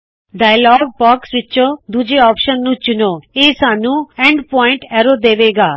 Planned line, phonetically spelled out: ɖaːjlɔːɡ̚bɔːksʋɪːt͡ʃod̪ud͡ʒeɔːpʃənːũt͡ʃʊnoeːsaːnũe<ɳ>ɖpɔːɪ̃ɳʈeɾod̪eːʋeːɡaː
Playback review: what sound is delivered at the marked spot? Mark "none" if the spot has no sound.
ɳ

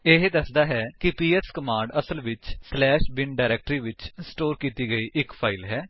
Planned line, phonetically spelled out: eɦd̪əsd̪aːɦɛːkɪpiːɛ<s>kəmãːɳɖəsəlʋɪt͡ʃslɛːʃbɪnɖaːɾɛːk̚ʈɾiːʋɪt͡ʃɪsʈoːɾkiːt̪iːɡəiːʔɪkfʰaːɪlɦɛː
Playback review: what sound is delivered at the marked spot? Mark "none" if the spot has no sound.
s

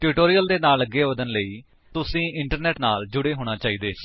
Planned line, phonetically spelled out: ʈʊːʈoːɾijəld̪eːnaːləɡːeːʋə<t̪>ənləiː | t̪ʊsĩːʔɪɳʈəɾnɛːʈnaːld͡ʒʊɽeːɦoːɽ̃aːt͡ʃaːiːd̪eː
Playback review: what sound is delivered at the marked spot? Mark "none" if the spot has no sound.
d̪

